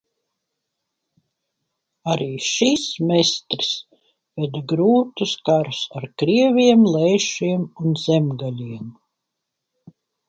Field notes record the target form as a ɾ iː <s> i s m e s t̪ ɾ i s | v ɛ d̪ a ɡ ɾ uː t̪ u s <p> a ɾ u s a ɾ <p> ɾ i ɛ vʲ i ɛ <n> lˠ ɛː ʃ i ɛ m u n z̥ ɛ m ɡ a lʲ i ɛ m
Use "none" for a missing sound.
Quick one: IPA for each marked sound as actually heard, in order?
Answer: ʃ, k, k, m

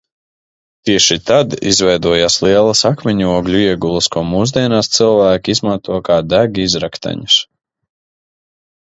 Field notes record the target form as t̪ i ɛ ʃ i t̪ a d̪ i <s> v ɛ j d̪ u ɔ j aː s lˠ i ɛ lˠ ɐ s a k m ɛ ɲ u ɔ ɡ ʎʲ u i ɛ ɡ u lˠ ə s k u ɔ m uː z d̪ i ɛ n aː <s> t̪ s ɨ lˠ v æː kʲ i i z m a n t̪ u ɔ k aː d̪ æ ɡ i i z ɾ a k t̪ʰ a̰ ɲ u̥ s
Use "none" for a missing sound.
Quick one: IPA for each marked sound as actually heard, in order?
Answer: z, s

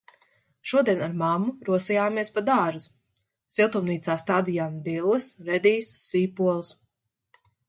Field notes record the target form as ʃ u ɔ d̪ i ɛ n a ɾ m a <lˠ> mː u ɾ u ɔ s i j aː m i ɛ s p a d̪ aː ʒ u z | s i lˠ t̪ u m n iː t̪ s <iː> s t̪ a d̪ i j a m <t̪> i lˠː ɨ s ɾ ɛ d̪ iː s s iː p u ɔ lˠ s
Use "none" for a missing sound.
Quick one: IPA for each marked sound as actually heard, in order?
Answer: none, aː, d̪

